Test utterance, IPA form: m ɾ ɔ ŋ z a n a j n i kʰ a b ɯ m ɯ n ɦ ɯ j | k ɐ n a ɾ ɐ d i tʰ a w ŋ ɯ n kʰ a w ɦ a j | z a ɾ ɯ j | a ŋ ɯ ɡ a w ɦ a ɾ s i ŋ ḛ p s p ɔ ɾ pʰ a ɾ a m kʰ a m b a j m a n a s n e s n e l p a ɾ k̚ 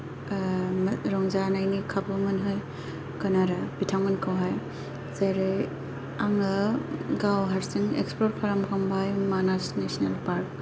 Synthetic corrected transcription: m ɾ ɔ ŋ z a n a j n i kʰ a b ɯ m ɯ n ɦ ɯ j | k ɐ n a ɾ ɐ b i tʰ a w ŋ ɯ n kʰ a w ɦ a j | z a ɾ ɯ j | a ŋ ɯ ɡ a w ɦ a ɾ s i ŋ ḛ k s p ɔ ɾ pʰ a ɾ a m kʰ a m b a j m a n a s n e s n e l p a ɾ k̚